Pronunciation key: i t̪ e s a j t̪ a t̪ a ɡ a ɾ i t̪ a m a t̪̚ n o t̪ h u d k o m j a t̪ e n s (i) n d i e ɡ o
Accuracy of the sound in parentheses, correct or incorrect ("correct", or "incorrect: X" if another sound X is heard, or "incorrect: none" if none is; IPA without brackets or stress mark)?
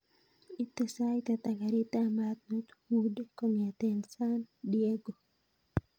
incorrect: a